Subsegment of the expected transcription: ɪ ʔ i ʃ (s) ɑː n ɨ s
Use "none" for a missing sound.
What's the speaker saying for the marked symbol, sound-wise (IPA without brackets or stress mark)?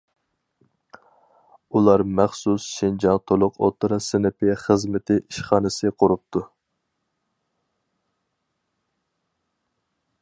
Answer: χ